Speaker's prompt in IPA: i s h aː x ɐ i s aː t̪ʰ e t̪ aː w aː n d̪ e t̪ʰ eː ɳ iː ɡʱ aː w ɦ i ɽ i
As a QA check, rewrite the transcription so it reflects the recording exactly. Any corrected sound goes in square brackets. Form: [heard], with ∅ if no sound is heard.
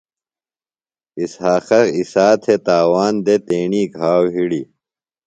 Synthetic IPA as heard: i s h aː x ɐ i s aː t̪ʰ e t̪ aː w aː n d̪ e [t̪] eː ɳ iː ɡʱ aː w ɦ i ɽ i

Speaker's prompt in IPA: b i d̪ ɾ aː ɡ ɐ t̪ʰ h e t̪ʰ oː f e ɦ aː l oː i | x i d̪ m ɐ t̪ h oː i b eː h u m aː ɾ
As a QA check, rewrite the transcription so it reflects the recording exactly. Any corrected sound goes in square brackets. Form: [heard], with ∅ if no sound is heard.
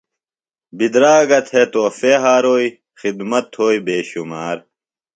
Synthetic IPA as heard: b i d̪ ɾ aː ɡ ɐ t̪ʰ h e [t̪] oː f e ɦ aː [ɾ] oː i | x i d̪ m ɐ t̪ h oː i b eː [ɕ] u m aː ɾ

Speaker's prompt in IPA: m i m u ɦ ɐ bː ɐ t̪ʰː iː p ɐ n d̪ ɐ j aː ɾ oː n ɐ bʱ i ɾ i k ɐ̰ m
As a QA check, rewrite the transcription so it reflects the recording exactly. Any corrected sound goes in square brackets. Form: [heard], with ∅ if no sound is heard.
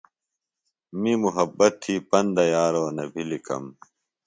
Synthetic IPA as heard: m i m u ɦ ɐ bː ɐ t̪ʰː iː p ɐ n d̪ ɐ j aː ɾ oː n ɐ bʱ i [l] i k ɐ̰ m

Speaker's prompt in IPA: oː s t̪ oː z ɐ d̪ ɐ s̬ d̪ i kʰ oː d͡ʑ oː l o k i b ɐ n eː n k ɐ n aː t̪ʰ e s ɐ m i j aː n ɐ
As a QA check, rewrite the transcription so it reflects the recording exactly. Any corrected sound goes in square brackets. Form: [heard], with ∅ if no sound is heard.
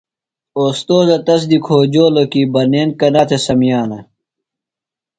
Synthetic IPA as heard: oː s t̪ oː z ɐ [t̪] ɐ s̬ d̪ i kʰ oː d͡ʑ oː l o k i b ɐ n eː n k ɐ n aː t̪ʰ e s ɐ m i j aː n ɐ

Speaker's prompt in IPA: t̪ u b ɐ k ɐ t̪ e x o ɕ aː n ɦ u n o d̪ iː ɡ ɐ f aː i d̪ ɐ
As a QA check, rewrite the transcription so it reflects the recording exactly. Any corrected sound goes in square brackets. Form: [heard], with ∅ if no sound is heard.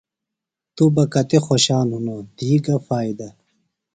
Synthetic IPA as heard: t̪ u b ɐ k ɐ t̪ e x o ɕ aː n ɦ u n o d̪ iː ɡ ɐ f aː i d̪ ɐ

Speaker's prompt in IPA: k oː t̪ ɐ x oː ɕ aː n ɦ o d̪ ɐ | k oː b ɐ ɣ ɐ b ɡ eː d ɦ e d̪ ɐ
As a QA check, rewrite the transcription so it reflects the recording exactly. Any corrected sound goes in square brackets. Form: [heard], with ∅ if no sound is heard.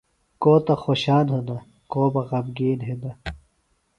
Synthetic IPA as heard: k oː t̪ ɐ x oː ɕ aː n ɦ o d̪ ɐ | k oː b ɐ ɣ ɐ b ɡ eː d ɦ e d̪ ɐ

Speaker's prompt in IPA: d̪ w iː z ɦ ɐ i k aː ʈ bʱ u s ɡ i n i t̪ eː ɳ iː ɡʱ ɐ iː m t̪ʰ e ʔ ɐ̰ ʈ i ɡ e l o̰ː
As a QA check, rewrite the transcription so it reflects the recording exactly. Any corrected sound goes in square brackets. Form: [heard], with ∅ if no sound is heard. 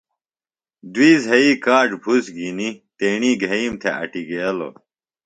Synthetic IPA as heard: d̪ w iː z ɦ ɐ i k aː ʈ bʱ u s ɡ i n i t̪ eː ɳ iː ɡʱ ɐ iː m t̪ʰ e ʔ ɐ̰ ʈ i ɡ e l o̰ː

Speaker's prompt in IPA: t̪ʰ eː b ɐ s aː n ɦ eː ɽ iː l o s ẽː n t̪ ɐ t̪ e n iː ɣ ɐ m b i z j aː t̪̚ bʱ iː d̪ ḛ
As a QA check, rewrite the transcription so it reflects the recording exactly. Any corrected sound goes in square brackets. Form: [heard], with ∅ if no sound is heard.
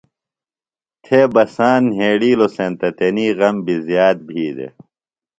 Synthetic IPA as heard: t̪ʰ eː b ɐ s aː n ɦ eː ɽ iː l o s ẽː n t̪ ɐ t̪ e n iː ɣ ɐ m b i z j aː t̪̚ bʱ iː d̪ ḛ

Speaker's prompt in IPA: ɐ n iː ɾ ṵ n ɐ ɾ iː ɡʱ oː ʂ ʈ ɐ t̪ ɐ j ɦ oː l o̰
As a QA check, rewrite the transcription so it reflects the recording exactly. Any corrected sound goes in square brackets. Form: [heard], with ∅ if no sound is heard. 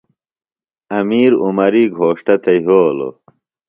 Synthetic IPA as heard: ɐ [m] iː ɾ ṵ [m] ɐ ɾ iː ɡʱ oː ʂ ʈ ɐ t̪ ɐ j ɦ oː l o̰

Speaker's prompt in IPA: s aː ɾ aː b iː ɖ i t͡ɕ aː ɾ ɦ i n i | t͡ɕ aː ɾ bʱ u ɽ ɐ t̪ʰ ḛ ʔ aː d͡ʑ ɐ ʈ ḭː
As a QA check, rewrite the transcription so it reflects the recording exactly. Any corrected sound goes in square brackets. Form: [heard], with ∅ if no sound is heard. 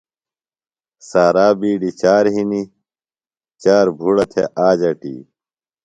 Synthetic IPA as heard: s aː ɾ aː b iː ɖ i t͡ɕ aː ɾ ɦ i n i | t͡ɕ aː ɾ bʱ u ɽ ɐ t̪ʰ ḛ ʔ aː d͡ʑ ɐ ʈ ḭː

